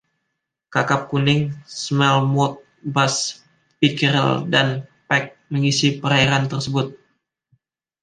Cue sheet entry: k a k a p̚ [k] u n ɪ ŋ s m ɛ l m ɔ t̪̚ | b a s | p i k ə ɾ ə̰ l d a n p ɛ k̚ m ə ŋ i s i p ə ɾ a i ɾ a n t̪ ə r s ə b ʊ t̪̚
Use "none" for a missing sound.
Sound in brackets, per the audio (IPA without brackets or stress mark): k